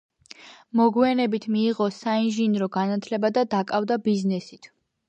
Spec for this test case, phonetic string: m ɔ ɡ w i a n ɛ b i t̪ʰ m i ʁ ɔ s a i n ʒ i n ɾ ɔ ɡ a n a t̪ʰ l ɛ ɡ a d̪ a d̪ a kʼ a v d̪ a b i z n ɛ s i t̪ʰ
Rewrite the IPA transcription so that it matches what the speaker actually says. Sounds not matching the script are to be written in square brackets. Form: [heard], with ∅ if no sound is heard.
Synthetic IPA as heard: m ɔ ɡ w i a n ɛ b i t̪ʰ m [iː] ʁ ɔ s a i n ʒ i n ɾ ɔ ɡ a n a t̪ʰ l ɛ [b] a d̪ a d̪ a kʼ a v d̪ a b i z n ɛ s i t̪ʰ